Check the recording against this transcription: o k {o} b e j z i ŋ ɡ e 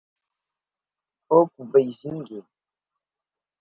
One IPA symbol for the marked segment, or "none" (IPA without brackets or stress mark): u